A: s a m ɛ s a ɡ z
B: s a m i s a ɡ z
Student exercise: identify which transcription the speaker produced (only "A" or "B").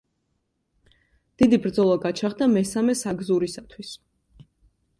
A